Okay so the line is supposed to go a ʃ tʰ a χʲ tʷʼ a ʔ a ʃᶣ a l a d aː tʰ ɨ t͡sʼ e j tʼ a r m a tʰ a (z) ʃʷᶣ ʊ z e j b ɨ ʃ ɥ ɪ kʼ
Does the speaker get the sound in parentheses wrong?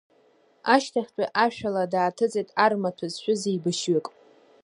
no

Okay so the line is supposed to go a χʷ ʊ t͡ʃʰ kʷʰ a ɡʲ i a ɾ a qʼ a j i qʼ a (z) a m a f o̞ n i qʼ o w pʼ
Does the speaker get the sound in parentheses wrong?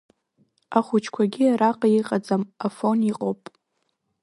yes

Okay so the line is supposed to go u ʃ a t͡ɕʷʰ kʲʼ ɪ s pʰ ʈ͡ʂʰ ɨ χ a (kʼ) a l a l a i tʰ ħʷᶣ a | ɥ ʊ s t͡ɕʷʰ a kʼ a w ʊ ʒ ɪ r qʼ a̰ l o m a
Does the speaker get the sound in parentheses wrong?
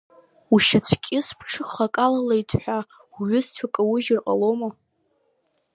no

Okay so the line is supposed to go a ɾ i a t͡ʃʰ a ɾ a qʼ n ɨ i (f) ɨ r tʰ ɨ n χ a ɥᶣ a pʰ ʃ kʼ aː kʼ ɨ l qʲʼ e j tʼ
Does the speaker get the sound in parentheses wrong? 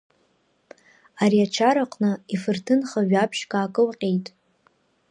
no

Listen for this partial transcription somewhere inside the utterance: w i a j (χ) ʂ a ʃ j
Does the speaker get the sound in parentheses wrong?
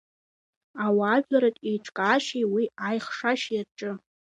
no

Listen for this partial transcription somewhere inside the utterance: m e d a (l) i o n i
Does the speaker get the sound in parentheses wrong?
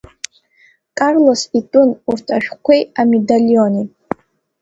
no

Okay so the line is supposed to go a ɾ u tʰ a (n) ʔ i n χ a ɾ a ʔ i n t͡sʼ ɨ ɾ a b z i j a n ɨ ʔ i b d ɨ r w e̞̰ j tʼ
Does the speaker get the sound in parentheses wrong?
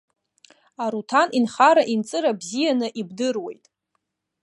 no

